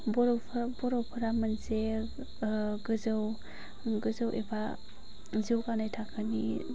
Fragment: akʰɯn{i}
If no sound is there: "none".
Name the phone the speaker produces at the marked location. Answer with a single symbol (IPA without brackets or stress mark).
i